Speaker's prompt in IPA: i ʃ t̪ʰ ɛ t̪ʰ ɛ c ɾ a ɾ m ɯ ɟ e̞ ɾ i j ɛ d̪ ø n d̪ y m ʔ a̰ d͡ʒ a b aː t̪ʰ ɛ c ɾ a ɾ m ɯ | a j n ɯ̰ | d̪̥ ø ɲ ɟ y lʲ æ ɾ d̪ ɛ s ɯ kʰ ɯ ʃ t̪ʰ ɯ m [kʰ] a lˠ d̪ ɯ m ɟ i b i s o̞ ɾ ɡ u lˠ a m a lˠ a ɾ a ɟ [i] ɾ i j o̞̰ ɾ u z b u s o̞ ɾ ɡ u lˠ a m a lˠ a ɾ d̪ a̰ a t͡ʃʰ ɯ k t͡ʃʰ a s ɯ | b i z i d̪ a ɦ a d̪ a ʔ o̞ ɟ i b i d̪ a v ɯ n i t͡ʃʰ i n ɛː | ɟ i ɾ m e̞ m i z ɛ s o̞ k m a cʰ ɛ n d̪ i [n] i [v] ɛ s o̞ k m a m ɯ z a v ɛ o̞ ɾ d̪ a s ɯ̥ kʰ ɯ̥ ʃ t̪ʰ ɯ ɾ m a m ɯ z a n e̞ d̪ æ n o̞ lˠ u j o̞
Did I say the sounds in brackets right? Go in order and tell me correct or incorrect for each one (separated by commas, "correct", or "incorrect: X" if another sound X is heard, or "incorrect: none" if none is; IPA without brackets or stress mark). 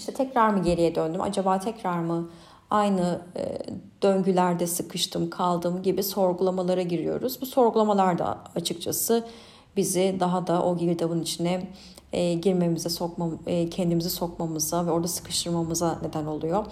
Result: correct, correct, incorrect: m, incorrect: z